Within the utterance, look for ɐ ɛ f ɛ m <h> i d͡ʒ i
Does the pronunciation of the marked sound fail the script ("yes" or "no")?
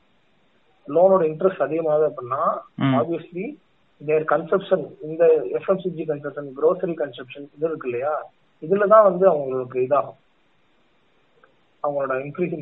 yes